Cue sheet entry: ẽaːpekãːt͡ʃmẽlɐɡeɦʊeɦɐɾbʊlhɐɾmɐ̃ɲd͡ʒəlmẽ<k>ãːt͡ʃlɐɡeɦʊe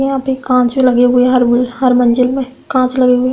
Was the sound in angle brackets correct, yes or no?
yes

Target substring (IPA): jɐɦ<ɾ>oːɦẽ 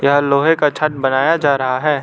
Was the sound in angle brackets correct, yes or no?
no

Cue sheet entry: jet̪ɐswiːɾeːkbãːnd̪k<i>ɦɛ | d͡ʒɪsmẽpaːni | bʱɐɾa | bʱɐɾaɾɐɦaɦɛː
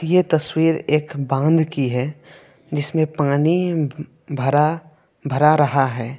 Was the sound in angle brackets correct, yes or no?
yes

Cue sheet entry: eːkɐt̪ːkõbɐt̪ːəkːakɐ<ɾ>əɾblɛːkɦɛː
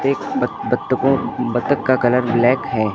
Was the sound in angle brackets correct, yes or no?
no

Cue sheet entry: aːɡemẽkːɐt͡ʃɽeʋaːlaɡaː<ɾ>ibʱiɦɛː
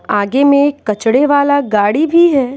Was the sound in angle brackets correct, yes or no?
no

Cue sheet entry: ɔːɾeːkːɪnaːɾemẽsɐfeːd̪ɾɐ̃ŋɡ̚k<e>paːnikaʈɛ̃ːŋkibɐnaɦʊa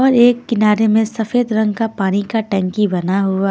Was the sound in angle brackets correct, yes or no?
no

